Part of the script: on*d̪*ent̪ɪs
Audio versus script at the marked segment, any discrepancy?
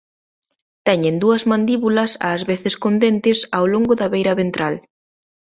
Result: no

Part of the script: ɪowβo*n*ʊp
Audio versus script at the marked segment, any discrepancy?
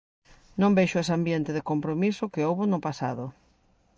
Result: no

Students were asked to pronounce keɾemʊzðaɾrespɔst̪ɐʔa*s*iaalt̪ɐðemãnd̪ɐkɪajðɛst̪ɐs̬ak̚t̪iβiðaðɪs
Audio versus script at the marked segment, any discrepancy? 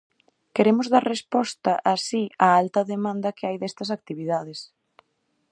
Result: no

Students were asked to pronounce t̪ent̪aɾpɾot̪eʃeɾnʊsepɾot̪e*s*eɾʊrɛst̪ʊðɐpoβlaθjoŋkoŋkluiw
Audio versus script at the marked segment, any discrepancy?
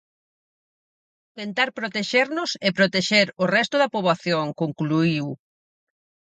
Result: yes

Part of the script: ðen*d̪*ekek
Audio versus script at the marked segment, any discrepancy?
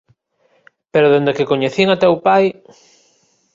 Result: no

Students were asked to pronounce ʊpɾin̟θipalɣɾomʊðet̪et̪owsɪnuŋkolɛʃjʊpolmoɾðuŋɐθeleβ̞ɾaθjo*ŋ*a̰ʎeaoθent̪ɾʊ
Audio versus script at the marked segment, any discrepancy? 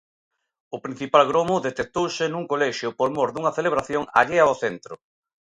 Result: no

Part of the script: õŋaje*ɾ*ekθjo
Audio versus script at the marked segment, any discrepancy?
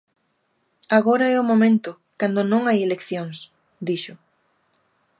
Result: yes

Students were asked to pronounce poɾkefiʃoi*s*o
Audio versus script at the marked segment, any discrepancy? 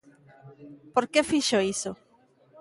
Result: no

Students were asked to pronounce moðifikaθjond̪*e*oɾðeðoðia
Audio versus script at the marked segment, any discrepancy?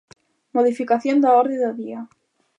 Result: yes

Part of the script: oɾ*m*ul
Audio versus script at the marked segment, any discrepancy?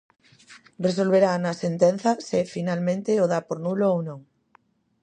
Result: yes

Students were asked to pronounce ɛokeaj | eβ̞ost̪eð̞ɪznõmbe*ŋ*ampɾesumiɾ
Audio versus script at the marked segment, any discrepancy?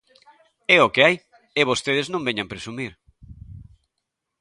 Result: yes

